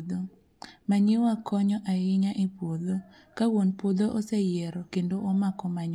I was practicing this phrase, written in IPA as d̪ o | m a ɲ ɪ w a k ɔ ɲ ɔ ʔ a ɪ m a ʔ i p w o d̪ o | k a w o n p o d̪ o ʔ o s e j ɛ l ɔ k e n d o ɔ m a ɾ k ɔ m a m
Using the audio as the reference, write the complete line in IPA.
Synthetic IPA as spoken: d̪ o | m a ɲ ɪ w a k ɔ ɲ ɔ ʔ a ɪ ɲ a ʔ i p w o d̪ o | k a w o n p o d̪ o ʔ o s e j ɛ ɾ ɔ k e n d o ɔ m a k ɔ m a ɲ